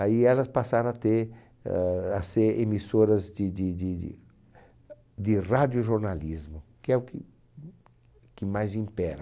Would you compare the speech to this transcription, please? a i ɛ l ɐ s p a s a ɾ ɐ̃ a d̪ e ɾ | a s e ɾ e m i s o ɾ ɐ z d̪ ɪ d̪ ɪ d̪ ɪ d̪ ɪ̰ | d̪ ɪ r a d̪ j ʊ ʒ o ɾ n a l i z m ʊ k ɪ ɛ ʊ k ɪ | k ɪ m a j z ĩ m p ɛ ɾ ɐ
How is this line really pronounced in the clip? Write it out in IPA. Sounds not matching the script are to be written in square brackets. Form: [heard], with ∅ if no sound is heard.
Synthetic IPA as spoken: a i ɛ l ɐ s p a s a ɾ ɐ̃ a [t̪] e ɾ | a s e ɾ e m i s o ɾ ɐ z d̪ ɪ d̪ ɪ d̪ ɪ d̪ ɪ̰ | d̪ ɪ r a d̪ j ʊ ʒ o ɾ n a l i z m ʊ k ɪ ɛ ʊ k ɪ | k ɪ m a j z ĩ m p ɛ ɾ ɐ

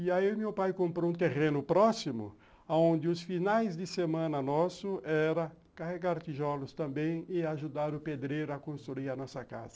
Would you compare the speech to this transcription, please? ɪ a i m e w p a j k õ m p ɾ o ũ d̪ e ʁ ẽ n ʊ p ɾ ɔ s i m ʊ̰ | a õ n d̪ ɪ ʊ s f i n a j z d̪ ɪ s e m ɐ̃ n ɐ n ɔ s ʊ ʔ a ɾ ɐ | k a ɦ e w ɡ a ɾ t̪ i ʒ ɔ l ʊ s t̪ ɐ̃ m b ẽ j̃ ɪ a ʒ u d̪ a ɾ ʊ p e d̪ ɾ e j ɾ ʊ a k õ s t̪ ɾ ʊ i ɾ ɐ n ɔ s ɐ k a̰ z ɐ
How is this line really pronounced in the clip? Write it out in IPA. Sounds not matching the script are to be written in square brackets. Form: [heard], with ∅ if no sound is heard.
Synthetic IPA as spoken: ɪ a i m e w p a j k õ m p ɾ o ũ [t̪] e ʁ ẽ n ʊ p ɾ ɔ s i m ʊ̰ | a õ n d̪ ɪ ʊ s f i n a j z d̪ ɪ s e m ɐ̃ n ɐ n ɔ s ʊ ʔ [ɛ] ɾ ɐ | k a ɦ e [∅] ɡ a ɾ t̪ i ʒ ɔ l ʊ s t̪ ɐ̃ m b ẽ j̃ ɪ a ʒ u d̪ a ɾ ʊ p e d̪ ɾ e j ɾ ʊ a k õ s t̪ ɾ [u] i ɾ ɐ n ɔ s ɐ k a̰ z ɐ

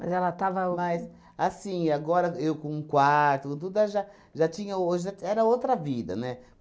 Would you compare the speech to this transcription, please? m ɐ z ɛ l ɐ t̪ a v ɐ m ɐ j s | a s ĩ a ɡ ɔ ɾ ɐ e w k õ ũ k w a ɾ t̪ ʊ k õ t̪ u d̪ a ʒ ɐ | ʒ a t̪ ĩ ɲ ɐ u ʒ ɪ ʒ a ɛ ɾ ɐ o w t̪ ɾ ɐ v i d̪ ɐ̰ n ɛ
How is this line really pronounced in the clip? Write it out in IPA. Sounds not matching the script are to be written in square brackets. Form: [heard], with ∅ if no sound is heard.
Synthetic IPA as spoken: m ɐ z ɛ l ɐ t̪ a v ɐ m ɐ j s | a s ĩ a ɡ ɔ ɾ ɐ e w k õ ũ k w a ɾ t̪ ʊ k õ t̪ u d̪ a ʒ [a] | ʒ a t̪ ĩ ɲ ɐ [o] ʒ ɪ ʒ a ɛ ɾ ɐ o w t̪ ɾ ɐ v i d̪ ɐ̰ n ɛ

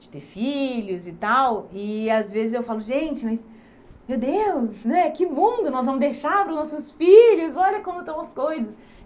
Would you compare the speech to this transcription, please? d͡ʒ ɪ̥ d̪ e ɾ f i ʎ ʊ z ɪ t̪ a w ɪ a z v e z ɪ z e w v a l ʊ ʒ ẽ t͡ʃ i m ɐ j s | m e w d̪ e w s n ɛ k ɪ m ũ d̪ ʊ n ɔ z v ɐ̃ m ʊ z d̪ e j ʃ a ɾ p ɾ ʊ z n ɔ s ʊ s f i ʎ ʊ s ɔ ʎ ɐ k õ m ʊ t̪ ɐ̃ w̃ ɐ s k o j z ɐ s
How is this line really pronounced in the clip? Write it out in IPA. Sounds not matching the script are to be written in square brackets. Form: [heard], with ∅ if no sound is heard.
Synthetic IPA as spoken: d͡ʒ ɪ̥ [t̪] e ɾ f i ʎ ʊ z ɪ t̪ a w ɪ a z v e z ɪ z e w [f] a l ʊ ʒ ẽ t͡ʃ [ɪ] m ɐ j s | m e w d̪ e w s n ɛ k ɪ m ũ d̪ ʊ n ɔ z v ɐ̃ m ʊ z d̪ e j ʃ a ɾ p ɾ ʊ z n ɔ s ʊ s f i ʎ ʊ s ɔ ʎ ɐ k õ m ʊ t̪ ɐ̃ w̃ ɐ s k o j z ɐ s

